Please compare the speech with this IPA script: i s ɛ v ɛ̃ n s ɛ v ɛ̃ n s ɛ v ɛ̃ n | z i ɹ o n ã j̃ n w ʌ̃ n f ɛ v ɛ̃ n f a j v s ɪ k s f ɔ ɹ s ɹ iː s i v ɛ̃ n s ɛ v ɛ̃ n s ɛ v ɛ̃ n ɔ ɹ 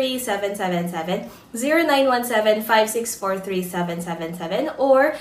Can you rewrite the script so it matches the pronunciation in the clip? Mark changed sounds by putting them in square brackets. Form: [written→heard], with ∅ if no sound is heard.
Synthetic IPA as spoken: i s ɛ v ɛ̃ n s ɛ v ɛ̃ n s ɛ v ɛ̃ n | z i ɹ o n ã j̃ n w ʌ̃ n [f→s] ɛ v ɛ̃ n f a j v s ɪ k s f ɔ ɹ [s→θ] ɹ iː s [i→ɛ] v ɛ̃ n s ɛ v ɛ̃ n s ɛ v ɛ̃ n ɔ ɹ